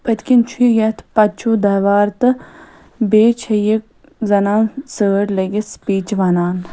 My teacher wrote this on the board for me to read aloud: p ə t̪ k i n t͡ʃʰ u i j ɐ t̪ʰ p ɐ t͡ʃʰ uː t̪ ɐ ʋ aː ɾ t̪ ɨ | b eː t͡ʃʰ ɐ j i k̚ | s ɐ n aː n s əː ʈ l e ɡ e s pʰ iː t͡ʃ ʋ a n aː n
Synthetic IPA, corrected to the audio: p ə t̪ k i n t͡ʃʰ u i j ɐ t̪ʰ p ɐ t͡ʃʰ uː d̪ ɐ ʋ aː ɾ t̪ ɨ | b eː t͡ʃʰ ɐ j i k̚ | z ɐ n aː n s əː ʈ l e ɡ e s p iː t͡ʃ ʋ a n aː n